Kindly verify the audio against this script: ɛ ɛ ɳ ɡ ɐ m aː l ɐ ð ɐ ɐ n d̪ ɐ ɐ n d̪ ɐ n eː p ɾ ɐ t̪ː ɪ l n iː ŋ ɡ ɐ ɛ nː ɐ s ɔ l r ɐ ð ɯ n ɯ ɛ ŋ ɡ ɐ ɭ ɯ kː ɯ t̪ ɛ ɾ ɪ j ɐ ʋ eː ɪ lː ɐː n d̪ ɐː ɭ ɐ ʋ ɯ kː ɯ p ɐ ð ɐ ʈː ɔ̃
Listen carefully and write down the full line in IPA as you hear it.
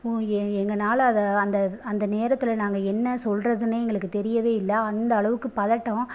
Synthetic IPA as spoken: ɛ ɛ ŋ ɡ ɐ n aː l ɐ ð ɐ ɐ n d̪ ɐ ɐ n d̪ ɐ n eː ɾ ɐ t̪ː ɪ l n aː ŋ ɡ ɐ ɛ nː ɐ s ɔ l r ɐ ð ɯ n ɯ ɛ ŋ ɡ ɐ ɭ ɯ kː ɯ t̪ ɛ ɾ ɪ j ɐ ʋ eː ɪ lː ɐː n d̪ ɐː ɭ ɐ ʋ ɯ kː ɯ p ɐ ð ɐ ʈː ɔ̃

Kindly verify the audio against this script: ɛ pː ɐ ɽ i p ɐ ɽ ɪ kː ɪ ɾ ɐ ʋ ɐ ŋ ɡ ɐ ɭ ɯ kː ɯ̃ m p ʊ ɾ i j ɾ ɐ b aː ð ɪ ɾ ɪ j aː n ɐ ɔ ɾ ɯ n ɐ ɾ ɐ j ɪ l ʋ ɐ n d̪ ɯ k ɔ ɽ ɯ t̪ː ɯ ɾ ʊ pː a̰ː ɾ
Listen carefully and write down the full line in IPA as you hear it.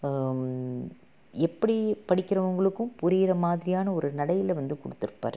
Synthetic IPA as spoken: ɛ pː ɐ ɽ i p ɐ ɽ ɪ kː ɪ ɾ ɐ ʋ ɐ ŋ ɡ ɐ ɭ ɯ kː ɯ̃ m p ʊ ɾ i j ɾ ɐ m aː ð ɪ ɾ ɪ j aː n ɐ ɔ ɾ ɯ n ɐ ɽ ɐ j ɪ l ʋ ɐ n d̪ ɯ k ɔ ɽ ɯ t̪ː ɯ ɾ ɯ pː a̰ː ɾ

